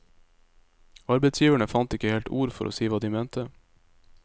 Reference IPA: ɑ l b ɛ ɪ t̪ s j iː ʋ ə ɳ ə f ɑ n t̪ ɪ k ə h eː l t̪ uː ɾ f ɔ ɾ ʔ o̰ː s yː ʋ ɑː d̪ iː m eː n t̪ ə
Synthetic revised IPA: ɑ ɾ b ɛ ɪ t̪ s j iː ʋ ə ɳ ə f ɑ n t̪ ɪ k ə h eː l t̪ uː ɾ f ɔ ɾ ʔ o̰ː s iː ʋ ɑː d̪ iː m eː n t̪ ə